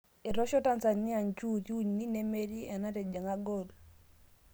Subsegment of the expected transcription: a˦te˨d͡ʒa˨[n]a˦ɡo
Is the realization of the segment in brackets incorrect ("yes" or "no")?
yes